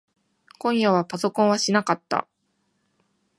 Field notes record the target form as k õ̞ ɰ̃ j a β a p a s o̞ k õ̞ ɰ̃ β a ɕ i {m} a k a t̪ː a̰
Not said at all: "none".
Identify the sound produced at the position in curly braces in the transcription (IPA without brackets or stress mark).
n